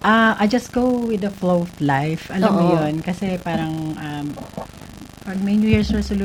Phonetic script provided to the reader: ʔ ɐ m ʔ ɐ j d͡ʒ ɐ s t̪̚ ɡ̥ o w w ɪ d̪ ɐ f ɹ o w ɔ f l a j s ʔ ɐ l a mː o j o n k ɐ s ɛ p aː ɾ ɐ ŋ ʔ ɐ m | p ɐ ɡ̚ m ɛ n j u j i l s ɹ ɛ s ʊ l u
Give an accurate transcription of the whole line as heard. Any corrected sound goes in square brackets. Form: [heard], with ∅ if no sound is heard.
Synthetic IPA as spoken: ʔ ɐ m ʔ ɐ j d͡ʒ ɐ s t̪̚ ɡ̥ o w w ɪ d̪ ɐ f [l] o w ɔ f l a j [f] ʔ ɐ l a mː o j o n k ɐ s ɛ p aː ɾ ɐ ŋ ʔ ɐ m | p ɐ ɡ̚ m ɛ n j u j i [ɹ] s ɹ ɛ s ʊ l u